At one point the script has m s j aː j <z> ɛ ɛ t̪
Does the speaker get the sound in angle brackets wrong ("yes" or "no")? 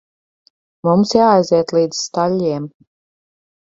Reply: no